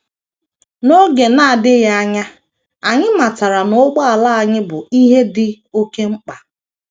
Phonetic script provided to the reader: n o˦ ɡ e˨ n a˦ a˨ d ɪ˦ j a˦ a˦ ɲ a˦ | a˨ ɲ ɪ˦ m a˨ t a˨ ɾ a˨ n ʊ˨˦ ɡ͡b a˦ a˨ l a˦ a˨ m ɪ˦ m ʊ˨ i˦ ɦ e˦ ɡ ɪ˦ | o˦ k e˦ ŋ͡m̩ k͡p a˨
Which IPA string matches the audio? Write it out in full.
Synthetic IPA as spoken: n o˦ ɡ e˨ n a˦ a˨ d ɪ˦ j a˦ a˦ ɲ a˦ | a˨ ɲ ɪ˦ m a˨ t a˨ ɾ a˨ n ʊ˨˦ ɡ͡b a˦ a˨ l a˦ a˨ ɲ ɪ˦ b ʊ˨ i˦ ɦ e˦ d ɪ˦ | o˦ k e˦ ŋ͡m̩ k͡p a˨